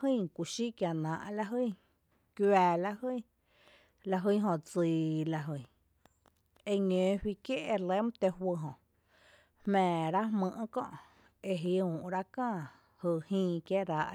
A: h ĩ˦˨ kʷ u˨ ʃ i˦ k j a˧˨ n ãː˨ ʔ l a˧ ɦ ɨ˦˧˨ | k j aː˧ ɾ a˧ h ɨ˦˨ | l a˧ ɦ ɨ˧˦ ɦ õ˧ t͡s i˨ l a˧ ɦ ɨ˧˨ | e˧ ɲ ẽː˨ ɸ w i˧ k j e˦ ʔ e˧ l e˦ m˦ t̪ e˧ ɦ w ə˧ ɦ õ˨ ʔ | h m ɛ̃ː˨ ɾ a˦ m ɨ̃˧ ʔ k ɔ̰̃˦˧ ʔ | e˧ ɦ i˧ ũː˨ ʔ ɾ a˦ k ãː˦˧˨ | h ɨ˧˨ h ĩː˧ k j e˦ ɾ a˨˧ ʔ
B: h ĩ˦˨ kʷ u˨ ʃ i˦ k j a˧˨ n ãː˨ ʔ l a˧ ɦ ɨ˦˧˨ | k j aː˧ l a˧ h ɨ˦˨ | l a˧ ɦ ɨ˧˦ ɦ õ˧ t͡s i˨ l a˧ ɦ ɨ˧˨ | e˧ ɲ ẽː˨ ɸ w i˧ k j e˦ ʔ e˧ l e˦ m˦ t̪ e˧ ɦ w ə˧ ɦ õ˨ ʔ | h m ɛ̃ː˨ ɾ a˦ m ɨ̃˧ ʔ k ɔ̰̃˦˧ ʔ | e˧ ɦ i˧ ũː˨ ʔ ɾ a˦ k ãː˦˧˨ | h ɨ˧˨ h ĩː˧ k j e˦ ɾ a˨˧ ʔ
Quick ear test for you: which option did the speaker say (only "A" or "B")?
B